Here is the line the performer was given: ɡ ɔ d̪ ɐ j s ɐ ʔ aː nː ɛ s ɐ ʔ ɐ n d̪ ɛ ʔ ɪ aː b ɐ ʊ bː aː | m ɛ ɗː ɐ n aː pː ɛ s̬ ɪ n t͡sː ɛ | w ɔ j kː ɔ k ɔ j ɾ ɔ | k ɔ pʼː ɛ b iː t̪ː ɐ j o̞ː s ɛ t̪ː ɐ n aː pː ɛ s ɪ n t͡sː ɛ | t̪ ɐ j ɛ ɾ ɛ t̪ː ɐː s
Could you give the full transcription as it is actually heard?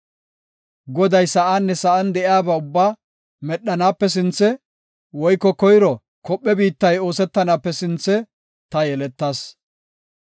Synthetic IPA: ɡ ɔ d̪ ɐ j s ɐ ʔ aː nː ɛ s ɐ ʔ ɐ n d̪ ɛ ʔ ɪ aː b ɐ ʊ bː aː | m ɛ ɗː ɐ n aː pː ɛ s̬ ɪ n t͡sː ɛ | w ɔ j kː ɔ k ɔ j ɾ ɔ | k ɔ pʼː ɛ b iː t̪ː ɐ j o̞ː s ɛ t̪ː ɐ n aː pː ɛ s ɪ n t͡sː ɛ | t̪ ɐ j ɛ l ɛ t̪ː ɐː s